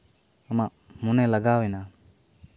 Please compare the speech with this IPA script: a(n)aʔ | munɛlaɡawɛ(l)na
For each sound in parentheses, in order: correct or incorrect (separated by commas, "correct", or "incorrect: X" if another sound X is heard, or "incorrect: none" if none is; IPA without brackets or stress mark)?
incorrect: m, incorrect: none